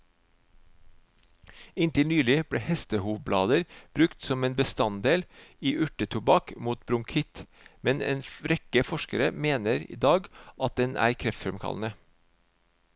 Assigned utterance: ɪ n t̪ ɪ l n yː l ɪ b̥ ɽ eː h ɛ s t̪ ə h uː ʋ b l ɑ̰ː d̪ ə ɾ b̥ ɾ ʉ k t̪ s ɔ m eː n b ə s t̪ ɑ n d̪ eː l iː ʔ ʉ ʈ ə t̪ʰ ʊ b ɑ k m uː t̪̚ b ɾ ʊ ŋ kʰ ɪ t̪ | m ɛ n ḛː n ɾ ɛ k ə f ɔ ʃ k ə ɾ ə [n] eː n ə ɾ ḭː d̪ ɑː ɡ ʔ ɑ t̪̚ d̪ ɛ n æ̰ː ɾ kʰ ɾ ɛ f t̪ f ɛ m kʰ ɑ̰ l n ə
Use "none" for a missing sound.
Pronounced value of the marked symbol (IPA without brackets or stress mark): m